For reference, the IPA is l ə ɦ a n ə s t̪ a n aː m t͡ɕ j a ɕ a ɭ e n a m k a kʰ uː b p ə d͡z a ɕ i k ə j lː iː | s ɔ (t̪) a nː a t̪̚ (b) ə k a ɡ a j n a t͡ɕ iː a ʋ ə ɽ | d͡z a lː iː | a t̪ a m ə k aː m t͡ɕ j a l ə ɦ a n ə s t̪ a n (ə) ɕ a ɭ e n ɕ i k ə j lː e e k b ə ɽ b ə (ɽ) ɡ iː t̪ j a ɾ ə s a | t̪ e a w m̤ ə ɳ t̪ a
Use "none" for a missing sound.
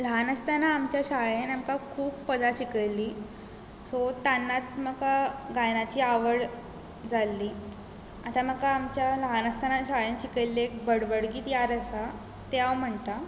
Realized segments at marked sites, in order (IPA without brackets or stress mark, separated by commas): t̪, m, a, ɽ